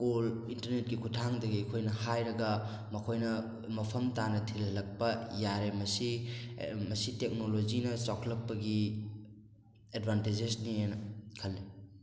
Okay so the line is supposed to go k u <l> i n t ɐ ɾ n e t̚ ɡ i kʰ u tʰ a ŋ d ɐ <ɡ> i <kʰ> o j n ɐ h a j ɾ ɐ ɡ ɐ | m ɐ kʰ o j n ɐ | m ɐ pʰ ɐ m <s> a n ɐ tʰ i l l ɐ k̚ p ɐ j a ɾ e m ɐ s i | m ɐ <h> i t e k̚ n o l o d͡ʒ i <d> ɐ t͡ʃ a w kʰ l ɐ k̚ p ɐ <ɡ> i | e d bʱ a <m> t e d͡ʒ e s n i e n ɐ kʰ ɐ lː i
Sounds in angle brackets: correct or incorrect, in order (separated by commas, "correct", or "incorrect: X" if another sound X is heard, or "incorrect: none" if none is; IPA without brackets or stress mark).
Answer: correct, correct, correct, incorrect: t, incorrect: s, incorrect: n, correct, incorrect: n